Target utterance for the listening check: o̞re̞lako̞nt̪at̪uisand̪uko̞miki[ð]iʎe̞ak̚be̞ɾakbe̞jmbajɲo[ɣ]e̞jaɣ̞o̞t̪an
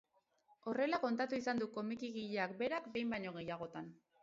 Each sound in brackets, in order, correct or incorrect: incorrect, correct

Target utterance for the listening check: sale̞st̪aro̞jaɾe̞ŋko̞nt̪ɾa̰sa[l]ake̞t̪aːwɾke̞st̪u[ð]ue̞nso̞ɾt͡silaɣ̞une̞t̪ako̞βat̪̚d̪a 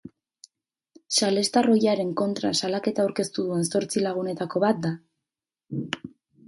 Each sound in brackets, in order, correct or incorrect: correct, correct

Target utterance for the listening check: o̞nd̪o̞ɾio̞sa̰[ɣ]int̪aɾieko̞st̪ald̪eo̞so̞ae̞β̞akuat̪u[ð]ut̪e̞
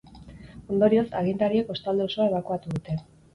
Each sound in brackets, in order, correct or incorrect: correct, correct

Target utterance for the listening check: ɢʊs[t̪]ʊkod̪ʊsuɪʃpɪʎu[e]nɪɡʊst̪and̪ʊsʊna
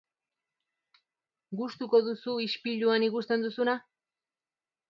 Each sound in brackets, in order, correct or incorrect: correct, incorrect

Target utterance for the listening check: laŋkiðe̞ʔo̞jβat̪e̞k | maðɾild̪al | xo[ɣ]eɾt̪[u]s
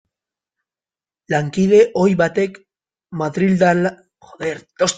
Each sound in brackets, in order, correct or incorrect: incorrect, incorrect

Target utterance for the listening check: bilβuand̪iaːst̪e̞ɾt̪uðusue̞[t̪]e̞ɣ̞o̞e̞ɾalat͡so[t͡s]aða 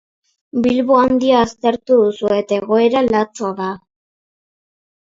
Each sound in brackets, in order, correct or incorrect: correct, incorrect

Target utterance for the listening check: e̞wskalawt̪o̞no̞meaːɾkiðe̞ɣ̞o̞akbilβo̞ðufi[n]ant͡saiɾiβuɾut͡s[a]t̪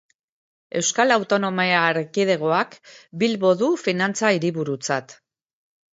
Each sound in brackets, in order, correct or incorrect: correct, correct

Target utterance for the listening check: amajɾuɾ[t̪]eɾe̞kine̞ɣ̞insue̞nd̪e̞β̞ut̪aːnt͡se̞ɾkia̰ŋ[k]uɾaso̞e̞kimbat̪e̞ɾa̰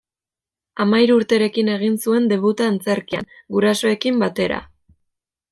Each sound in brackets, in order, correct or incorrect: correct, incorrect

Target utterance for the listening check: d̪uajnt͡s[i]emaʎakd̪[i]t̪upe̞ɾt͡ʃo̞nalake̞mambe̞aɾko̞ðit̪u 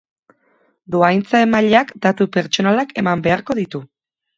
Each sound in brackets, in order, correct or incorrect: incorrect, incorrect

